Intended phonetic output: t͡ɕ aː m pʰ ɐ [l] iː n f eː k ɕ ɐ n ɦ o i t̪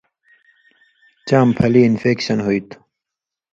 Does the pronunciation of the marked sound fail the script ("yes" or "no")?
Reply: no